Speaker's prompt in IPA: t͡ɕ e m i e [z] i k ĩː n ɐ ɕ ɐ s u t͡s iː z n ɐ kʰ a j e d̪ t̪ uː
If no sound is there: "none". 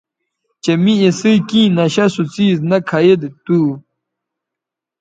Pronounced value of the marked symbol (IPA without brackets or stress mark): s